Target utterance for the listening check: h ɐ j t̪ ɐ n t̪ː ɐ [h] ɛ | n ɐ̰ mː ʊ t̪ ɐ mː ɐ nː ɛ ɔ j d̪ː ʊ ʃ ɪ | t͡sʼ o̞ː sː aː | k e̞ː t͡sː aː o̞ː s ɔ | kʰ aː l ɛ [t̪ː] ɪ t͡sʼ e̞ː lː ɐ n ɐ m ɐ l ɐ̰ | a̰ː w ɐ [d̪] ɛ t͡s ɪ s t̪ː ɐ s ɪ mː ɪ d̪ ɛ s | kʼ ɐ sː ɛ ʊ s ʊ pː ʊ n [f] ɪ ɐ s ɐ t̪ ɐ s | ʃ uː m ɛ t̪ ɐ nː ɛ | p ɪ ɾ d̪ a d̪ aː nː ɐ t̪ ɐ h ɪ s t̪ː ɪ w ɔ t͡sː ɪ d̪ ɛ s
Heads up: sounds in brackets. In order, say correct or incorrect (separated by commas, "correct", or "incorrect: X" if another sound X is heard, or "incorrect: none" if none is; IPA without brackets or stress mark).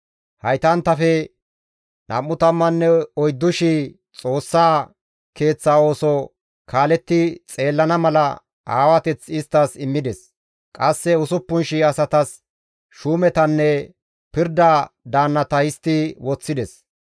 incorrect: f, correct, incorrect: t̪, incorrect: ʃ